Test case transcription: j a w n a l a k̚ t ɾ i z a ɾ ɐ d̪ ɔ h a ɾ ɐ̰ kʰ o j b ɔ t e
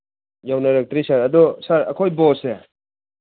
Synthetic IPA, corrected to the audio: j a w n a ɾ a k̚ t ɾ i s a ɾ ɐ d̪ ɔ s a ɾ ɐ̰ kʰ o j b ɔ s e